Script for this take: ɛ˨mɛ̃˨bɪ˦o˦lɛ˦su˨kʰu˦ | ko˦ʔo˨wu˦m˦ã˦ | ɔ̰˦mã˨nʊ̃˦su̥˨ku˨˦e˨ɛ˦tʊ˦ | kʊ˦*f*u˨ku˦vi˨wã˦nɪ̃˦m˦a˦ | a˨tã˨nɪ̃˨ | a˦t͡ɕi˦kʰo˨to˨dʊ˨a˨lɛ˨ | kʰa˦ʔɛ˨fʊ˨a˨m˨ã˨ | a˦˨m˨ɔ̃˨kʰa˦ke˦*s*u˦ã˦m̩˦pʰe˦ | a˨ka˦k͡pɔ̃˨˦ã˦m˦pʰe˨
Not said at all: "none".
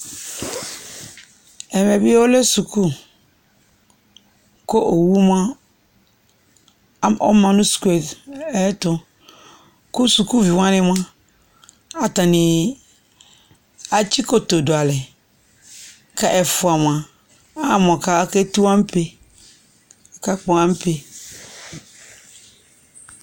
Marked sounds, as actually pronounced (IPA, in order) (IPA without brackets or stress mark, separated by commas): s, t